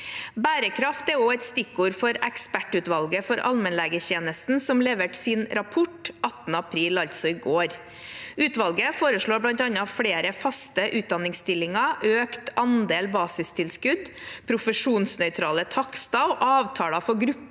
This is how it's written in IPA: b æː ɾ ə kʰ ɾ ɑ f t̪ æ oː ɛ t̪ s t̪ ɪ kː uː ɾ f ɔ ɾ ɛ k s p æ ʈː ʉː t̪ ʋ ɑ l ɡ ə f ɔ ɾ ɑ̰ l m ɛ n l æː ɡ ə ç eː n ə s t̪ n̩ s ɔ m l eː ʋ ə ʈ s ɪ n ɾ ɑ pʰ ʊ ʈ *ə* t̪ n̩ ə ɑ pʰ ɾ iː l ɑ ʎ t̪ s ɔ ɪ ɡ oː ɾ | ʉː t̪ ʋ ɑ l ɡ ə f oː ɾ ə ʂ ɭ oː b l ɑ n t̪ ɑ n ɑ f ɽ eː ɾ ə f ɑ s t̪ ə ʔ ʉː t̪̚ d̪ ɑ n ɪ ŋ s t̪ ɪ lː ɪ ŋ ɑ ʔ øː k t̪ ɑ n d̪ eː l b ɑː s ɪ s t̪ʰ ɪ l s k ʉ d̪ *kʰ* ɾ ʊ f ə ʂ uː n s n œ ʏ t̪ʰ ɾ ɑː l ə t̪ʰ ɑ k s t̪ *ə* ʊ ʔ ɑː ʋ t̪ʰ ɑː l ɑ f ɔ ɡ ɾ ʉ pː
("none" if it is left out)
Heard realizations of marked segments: ɑ, pʰ, ɑ

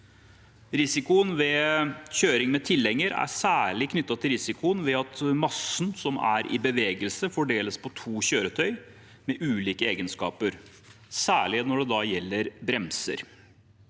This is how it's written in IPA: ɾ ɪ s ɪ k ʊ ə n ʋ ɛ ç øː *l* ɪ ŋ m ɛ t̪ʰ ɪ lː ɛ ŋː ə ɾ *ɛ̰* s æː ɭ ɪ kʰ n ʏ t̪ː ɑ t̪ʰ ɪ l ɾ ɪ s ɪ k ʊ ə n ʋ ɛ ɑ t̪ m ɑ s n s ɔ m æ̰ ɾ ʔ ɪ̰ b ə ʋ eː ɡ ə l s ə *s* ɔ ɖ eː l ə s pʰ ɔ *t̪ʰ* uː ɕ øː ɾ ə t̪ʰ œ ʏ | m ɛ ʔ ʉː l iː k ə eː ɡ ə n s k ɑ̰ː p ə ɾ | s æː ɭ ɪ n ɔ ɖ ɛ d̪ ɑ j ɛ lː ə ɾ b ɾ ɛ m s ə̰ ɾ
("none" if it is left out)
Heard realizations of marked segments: ɾ, æ̰, f, t̪ʰ

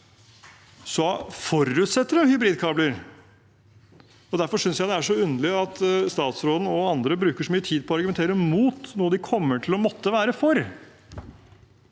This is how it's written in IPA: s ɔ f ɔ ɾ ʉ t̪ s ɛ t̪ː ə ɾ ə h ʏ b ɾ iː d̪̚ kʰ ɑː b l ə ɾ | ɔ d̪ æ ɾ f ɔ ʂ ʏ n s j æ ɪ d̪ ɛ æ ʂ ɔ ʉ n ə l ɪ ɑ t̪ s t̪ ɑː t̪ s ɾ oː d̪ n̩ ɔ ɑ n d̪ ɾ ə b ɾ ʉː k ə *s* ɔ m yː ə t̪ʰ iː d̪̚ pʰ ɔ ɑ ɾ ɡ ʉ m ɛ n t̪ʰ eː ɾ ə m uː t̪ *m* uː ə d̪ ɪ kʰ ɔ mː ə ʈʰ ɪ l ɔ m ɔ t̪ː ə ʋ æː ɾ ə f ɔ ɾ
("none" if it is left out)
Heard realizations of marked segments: ʂ, n

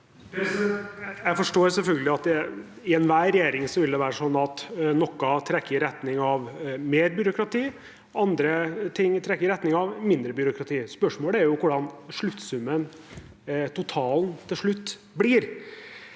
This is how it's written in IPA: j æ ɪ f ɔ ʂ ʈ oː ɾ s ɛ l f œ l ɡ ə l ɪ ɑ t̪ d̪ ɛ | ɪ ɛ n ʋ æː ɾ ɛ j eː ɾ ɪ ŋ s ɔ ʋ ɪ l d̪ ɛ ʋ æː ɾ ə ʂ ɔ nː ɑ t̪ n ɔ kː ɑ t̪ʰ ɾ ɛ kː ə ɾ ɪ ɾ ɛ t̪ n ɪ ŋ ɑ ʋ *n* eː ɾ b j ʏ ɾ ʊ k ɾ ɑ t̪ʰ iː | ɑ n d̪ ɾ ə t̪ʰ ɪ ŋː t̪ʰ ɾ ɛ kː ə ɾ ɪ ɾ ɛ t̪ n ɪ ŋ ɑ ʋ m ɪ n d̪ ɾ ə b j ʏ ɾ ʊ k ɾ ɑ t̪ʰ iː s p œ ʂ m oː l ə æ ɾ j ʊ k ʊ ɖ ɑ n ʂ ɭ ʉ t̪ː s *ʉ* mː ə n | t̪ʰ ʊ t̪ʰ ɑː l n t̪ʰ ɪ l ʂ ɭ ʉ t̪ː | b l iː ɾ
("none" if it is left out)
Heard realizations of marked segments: m, ʉ

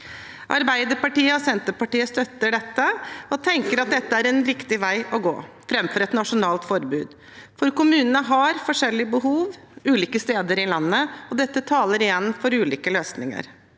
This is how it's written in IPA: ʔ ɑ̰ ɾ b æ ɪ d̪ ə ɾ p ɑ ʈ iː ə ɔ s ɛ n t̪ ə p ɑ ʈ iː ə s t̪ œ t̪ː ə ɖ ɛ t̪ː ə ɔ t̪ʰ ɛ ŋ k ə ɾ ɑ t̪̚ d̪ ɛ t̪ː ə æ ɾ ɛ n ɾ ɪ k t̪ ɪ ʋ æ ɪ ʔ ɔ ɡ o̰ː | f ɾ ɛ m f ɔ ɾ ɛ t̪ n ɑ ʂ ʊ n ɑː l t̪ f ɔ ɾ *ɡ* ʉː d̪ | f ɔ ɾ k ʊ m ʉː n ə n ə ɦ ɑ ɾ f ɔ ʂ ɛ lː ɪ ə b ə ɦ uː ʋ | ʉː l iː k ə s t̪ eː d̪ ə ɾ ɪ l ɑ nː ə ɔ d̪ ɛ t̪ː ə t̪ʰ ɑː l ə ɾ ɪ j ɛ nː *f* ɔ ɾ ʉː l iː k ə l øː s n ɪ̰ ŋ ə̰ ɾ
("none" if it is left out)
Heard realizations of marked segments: b, f

